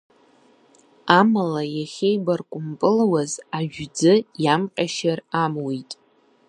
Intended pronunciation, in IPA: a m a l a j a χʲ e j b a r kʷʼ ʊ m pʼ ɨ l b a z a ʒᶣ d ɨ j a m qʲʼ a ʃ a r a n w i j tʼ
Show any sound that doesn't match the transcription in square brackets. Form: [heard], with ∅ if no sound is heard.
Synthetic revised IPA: a m a l a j a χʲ e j b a r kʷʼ ʊ m pʼ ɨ l [w] a z a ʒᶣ [d͡z] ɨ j a m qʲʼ a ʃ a r a [m] w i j tʼ